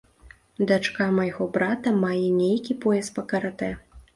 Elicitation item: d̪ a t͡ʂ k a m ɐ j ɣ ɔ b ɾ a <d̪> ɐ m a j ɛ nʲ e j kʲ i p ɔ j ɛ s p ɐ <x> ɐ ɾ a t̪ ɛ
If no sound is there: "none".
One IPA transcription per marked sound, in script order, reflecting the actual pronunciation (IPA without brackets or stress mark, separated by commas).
t̪, k